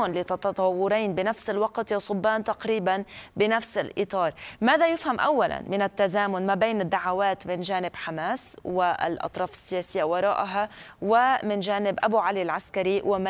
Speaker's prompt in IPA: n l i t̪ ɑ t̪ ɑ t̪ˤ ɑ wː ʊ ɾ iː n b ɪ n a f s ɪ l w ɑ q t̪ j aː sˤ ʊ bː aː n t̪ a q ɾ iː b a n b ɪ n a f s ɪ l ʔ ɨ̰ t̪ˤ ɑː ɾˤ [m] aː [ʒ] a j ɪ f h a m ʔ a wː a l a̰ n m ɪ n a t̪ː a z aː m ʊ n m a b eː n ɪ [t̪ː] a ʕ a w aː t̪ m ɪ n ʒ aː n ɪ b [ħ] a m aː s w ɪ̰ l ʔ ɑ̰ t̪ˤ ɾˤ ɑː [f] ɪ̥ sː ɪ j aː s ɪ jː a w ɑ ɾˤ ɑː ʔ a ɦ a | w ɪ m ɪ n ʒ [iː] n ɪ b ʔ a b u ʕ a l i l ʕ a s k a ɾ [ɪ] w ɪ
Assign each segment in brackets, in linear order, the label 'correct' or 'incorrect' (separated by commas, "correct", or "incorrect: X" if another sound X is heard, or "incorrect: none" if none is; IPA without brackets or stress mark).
correct, incorrect: ð, incorrect: d̪ː, correct, correct, incorrect: aː, incorrect: i